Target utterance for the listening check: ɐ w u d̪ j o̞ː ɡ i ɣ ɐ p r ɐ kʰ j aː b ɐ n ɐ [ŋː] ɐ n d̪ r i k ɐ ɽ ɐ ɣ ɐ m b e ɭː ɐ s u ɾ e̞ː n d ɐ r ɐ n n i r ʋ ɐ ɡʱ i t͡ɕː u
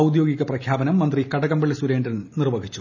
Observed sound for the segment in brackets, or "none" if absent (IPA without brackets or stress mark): mː